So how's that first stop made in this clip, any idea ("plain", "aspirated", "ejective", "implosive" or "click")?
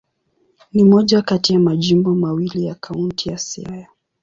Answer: implosive